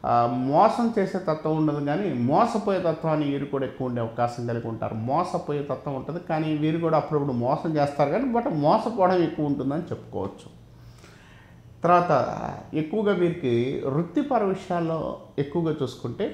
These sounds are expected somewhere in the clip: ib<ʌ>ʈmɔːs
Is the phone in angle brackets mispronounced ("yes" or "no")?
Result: yes